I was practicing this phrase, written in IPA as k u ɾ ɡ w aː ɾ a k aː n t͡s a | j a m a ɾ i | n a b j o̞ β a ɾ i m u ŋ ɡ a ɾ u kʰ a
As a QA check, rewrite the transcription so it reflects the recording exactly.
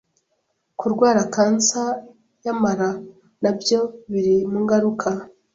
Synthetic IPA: k u ɾ ɡ w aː ɾ a k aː n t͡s a | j a m a ɾ a | n a b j o̞ β i ɾ i m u ŋ ɡ a ɾ u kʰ a